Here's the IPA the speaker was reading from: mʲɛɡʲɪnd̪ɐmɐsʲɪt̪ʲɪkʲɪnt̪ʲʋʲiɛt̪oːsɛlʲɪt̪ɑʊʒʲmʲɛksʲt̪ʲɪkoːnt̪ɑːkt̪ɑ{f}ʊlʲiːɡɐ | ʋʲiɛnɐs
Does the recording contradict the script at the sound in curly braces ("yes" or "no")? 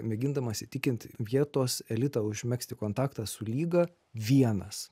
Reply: yes